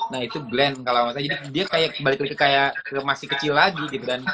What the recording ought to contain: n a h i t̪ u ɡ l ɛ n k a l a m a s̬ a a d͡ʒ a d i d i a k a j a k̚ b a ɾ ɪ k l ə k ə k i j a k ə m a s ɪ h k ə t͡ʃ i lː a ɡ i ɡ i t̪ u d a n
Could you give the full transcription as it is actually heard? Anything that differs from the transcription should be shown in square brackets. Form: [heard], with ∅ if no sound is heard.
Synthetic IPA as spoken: n a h i t̪ u ɡ l ɛ n k a l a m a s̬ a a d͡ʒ a d i d i a k a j a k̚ b a [l] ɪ k l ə k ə k [a] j a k ə m a s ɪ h k ə t͡ʃ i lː a ɡ i ɡ i t̪ u d a n